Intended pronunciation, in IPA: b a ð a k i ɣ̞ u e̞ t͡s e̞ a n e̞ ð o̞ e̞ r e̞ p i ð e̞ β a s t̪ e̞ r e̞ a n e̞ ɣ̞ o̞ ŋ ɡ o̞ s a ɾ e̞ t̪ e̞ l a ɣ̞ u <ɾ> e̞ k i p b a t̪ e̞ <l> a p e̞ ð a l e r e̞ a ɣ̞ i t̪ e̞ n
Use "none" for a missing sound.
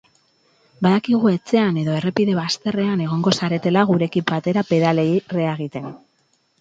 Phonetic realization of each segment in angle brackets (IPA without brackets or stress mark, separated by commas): ɾ, ɾ